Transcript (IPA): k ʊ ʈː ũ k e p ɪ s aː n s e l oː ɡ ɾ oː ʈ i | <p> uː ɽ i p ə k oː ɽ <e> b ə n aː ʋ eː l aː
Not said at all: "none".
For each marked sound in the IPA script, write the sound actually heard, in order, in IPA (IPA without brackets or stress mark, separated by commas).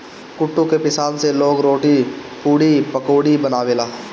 p, i